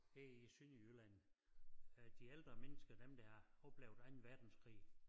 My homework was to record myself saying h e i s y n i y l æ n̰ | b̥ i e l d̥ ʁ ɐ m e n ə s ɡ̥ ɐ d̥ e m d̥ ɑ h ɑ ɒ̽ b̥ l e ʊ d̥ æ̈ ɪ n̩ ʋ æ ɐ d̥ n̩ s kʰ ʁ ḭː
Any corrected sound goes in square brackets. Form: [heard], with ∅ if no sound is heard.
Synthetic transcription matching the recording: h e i s y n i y l æ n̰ | [d̥] i e l d̥ ʁ ɐ m e n ə s ɡ̥ ɐ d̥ e m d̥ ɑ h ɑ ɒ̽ b̥ l e ʊ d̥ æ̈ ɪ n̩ ʋ æ ɐ d̥ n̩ s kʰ ʁ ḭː